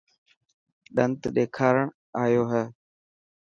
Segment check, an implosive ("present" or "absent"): present